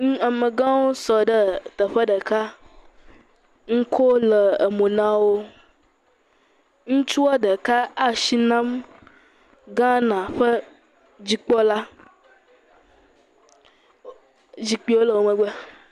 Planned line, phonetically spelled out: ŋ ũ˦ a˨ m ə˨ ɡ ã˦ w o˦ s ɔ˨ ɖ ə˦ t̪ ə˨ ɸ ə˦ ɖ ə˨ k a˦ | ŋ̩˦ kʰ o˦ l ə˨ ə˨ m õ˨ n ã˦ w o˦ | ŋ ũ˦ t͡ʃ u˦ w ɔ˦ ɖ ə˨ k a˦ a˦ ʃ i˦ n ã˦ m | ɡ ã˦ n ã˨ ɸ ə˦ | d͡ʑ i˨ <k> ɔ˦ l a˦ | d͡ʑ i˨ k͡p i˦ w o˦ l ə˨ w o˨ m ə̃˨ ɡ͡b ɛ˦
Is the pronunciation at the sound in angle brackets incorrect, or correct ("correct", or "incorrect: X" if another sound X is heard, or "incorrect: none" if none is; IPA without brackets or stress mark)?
incorrect: k͡p